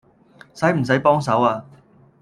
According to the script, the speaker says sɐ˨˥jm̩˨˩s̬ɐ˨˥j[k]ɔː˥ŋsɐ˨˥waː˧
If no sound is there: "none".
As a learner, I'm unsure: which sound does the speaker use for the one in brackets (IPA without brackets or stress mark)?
p